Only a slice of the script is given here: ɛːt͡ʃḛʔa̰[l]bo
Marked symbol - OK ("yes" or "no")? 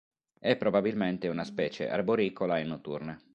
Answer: no